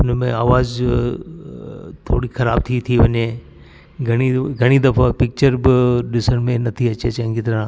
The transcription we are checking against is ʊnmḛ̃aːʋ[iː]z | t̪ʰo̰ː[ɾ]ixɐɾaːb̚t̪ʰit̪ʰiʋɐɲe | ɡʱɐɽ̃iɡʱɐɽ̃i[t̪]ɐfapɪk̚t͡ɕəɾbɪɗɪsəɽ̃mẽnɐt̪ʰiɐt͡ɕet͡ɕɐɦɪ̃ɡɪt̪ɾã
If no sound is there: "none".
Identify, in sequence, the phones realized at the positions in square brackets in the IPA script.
aː, ɽ, d̪

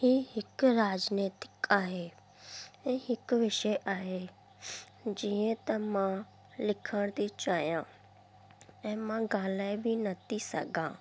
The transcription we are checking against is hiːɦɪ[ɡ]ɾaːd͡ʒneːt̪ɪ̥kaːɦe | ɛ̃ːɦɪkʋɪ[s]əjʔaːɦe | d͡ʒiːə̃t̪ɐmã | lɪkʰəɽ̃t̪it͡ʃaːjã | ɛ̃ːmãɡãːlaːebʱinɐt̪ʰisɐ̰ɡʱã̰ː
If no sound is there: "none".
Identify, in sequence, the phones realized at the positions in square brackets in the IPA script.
k, ʃ

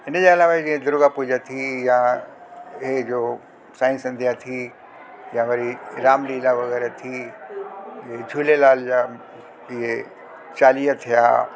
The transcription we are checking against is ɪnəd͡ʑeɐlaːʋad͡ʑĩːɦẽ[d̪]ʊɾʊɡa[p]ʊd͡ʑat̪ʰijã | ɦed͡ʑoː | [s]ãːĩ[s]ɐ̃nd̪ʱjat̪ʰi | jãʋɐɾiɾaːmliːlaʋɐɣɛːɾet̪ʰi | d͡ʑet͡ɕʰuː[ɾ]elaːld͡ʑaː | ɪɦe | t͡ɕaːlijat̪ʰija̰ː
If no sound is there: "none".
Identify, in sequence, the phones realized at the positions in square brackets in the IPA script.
d̪, p, s, s, l

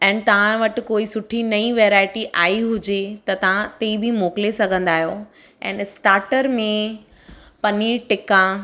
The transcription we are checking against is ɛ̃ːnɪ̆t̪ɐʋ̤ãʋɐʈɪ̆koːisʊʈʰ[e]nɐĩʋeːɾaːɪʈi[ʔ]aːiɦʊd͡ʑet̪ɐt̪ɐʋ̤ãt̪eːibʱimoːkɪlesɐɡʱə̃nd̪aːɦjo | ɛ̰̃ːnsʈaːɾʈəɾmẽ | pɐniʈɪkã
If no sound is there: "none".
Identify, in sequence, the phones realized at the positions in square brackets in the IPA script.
i, ʔ

